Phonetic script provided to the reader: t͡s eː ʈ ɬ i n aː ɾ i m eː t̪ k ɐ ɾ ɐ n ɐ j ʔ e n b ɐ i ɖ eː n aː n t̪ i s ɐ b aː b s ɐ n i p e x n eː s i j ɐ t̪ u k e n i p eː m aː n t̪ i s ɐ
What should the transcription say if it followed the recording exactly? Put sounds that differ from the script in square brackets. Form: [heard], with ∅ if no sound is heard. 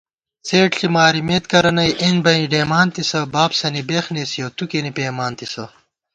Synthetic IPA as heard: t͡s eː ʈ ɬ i [m] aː ɾ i m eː t̪ k ɐ ɾ ɐ n ɐ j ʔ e n b ɐ i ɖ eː [m] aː n t̪ i s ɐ b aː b s ɐ n i [b] e x n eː s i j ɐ t̪ u k e n i p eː m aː n t̪ i s ɐ

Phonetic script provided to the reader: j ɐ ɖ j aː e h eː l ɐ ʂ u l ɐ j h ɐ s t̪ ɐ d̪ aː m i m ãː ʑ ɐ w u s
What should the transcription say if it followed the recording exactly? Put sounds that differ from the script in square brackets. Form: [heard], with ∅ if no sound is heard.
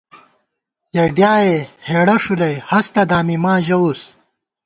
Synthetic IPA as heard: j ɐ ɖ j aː e h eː [ɽ] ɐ ʂ u l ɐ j h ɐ s t̪ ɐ d̪ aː m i m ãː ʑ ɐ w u s

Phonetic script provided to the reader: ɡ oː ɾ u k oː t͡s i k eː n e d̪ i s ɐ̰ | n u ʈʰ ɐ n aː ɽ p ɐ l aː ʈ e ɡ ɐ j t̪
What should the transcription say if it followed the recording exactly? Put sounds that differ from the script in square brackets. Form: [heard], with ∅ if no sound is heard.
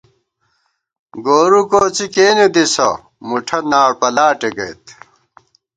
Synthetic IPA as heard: ɡ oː ɾ u k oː t͡s i k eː n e d̪ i s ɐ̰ | [m] u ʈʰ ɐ n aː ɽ p ɐ l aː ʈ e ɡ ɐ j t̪

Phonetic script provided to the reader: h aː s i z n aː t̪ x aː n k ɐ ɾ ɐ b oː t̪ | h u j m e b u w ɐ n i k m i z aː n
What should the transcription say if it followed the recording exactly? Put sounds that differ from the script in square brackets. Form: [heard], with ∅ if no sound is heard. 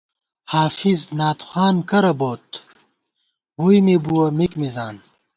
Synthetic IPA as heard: h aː [f] i z n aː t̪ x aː n k ɐ ɾ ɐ b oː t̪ | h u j m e b u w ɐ [m] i k m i z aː n

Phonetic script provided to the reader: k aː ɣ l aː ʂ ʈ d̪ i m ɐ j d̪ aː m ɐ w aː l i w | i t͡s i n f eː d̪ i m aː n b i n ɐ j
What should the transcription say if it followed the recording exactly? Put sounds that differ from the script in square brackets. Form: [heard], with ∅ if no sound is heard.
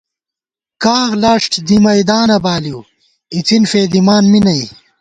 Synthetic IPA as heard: k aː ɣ l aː ʂ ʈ d̪ i m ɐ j d̪ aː [n] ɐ [b] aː l i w | i t͡s i n f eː d̪ i m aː n [m] i n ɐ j

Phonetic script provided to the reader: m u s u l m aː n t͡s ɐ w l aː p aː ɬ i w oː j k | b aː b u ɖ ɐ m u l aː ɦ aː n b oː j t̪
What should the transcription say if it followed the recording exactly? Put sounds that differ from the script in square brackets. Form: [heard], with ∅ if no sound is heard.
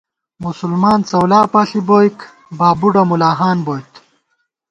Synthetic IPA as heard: m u s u l m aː n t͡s ɐ w l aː p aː ɬ i [b] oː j k | b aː b u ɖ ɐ m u l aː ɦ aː n b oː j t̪

